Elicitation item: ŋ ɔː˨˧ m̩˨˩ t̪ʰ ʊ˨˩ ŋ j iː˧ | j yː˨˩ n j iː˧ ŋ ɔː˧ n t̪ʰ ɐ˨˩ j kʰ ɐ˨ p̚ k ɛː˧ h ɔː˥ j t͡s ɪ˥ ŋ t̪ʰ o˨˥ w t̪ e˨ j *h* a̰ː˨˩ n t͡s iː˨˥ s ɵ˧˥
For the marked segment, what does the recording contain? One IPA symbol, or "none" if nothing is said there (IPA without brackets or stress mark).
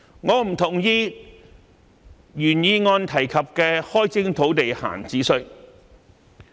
h